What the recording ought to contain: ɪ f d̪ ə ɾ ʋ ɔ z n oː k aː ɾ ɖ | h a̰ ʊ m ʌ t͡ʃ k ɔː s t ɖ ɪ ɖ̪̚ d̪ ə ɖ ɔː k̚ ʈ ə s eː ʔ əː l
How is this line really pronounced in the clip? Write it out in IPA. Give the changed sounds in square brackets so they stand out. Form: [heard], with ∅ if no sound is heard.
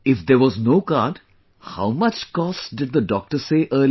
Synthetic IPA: ɪ f d̪ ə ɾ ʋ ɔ z n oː k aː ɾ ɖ | h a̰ ʊ m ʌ t͡ʃ k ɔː s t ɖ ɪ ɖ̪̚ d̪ ə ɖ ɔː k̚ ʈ ə s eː ʔ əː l